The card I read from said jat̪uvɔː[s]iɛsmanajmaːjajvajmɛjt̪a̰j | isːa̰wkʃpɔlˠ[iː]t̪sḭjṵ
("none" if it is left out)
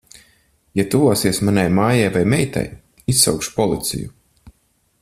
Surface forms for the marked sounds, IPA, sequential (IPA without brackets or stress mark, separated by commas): s, i